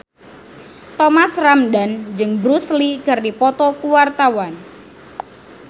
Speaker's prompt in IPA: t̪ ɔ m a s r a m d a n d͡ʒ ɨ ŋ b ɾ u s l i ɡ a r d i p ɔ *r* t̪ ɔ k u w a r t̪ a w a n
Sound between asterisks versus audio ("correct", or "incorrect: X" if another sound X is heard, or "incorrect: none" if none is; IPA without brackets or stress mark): incorrect: none